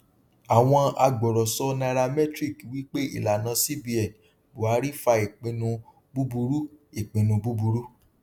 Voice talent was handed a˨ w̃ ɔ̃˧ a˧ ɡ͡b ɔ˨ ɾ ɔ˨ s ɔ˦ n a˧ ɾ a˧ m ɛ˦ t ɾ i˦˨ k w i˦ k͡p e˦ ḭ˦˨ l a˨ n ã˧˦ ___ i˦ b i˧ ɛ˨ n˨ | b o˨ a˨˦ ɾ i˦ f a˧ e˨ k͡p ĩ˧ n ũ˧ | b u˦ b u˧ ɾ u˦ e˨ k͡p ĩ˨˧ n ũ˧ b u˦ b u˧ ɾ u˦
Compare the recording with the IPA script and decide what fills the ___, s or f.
s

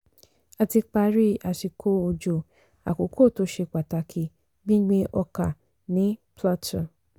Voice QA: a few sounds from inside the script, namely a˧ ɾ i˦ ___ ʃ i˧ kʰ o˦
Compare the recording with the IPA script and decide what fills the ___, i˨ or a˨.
a˨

